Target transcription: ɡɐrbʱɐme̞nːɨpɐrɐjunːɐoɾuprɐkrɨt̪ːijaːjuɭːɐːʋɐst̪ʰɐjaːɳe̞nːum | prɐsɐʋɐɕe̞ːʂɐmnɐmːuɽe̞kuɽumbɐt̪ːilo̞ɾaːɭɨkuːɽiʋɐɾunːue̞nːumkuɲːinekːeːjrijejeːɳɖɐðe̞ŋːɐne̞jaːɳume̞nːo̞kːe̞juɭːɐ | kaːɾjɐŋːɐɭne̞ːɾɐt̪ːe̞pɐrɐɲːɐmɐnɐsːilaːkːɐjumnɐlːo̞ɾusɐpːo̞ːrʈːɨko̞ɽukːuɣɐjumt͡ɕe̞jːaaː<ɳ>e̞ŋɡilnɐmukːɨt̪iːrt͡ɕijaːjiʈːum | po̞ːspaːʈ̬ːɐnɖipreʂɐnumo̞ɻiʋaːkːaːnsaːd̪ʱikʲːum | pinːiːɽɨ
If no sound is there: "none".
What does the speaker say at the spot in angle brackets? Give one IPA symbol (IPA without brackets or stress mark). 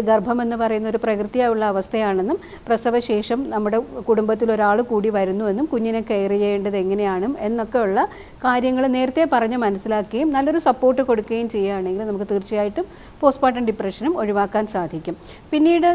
ɳ